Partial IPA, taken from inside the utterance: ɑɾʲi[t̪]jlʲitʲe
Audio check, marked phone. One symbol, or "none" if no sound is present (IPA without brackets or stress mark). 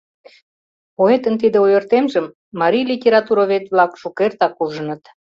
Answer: none